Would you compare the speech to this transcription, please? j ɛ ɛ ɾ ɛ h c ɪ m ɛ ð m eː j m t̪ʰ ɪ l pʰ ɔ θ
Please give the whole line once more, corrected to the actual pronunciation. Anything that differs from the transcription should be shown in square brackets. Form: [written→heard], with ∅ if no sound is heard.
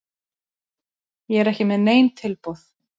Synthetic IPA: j ɛ ɛ ɾ ɛ h c ɪ m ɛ ð [m→n] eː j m t̪ʰ ɪ l [pʰ→p] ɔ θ